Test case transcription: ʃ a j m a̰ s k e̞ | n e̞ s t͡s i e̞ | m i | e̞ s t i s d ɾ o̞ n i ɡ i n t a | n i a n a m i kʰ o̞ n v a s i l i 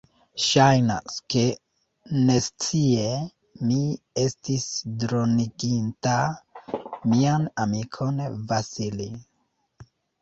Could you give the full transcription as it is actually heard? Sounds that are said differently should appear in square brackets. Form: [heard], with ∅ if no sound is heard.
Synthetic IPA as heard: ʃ a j [n] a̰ s k e̞ | n e̞ s t͡s i e̞ | m i | e̞ s t i s d ɾ o̞ n i ɡ i n t a | [m] i a n a m i kʰ o̞ n v a s i l i